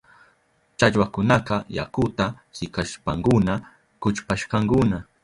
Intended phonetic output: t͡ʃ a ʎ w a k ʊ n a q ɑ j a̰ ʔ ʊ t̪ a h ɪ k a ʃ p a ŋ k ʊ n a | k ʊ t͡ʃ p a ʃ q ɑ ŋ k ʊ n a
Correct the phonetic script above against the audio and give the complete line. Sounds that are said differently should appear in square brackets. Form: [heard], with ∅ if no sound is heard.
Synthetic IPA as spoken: t͡ʃ a ʎ w a k ʊ n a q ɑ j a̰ [k] ʊ t̪ a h ɪ k a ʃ p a ŋ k ʊ n a | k ʊ t͡ʃ p a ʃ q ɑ ŋ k ʊ n a